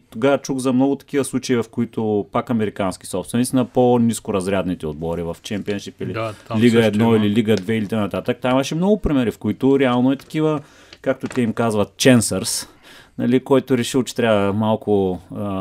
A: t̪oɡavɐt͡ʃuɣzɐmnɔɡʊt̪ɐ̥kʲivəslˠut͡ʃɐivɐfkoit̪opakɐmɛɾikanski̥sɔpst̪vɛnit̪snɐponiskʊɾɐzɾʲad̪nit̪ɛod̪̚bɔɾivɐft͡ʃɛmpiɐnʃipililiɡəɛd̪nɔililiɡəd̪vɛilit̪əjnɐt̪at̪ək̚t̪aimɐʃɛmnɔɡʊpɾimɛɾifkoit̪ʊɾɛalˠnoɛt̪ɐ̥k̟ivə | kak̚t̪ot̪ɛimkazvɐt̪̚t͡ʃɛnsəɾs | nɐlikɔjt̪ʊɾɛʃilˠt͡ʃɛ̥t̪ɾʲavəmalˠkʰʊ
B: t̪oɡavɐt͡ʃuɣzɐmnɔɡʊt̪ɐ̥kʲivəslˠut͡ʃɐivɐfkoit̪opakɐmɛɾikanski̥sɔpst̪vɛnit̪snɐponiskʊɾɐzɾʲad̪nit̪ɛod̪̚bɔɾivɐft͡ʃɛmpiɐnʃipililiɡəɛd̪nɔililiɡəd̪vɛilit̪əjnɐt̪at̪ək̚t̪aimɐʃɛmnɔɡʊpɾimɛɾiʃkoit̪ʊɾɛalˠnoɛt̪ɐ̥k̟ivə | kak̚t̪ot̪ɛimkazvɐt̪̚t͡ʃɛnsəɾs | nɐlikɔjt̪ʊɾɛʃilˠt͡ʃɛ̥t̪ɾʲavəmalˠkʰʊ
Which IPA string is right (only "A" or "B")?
A